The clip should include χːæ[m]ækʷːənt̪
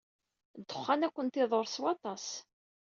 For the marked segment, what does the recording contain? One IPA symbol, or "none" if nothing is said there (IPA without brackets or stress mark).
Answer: n